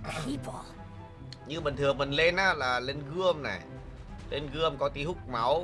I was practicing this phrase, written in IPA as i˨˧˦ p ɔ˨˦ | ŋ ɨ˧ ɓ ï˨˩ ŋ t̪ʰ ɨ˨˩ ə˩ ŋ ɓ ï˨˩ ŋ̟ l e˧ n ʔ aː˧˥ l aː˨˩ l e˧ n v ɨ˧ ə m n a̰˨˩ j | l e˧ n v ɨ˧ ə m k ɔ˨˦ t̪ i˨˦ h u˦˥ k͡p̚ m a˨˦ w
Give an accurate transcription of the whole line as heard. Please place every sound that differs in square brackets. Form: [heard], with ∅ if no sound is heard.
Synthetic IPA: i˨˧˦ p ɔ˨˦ | [ɲ] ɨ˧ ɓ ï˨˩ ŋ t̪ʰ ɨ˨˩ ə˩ ŋ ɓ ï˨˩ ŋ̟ l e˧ n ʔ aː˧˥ l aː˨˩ l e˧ n [ɣ] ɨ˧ ə m n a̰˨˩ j | l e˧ n [ɣ] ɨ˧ ə m k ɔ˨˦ t̪ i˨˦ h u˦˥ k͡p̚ m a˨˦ w